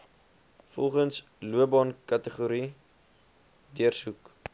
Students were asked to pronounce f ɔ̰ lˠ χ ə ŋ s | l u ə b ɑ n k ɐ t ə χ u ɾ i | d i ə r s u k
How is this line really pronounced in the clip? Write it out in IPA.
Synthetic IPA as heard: f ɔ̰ lˠ χ ə n s | l u ə b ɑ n k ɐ t ə χ u ɾ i | d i ə r s u k